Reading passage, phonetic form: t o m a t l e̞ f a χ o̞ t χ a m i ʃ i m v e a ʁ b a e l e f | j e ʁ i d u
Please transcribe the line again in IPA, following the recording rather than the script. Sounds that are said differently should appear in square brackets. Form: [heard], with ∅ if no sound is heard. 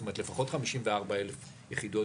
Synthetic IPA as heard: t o m a t l e̞ f a χ o̞ t χ a m i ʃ i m v e a ʁ b a e l e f | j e [χ] i d [o]